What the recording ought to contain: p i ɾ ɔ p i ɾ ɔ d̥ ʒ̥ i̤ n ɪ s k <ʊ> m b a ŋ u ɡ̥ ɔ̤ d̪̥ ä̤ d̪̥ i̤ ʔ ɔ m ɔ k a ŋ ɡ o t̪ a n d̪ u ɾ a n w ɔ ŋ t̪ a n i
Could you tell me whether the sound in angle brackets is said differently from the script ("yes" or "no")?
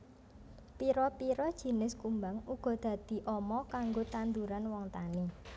yes